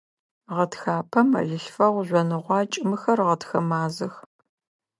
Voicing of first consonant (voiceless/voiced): voiced